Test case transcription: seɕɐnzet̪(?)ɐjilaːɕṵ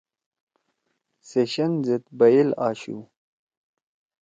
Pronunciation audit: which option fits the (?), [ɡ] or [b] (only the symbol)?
b